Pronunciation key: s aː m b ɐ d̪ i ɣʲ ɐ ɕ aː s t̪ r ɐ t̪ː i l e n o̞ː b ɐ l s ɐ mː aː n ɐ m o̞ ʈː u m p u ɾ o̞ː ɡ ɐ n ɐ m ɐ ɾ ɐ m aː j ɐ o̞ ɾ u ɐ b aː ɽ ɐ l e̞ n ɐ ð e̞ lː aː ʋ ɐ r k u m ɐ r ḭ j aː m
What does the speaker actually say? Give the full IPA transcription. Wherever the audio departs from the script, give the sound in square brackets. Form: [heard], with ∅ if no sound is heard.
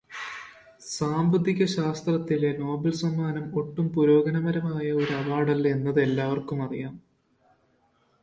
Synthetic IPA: s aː m b ɐ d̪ i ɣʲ ɐ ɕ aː s t̪ r ɐ t̪ː i l e n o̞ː b ɐ l s ɐ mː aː n ɐ m o̞ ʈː u m p u ɾ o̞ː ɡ ɐ n ɐ m ɐ ɾ ɐ m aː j ɐ o̞ ɾ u ɐ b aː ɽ ɐ l e̞ [nː] ɐ ð e̞ lː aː ʋ ɐ r k u m ɐ r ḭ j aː m